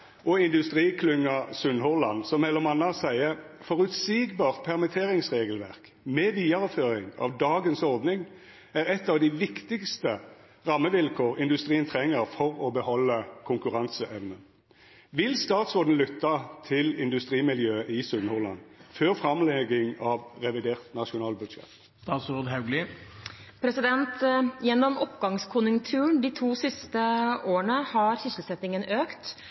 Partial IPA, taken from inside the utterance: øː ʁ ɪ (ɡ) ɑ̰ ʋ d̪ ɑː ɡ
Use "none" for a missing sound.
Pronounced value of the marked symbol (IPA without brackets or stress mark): ŋ